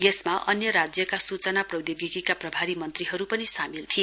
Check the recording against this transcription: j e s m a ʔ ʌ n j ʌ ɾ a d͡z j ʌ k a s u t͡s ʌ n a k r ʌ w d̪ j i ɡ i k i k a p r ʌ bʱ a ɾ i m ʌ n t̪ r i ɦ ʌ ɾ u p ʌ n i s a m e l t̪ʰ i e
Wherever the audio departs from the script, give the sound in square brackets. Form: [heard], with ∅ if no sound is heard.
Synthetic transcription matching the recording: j e s m a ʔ ʌ n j ʌ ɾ a d͡z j ʌ k a s u t͡s ʌ n a [p] r ʌ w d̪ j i ɡ i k i k a p r ʌ bʱ a ɾ i m ʌ n t̪ r i ɦ ʌ ɾ u p ʌ n i s a m [i] l t̪ʰ i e